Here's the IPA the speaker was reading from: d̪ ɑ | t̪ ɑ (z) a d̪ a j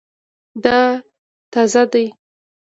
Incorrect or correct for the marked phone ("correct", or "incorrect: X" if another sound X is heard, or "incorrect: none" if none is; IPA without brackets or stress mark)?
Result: correct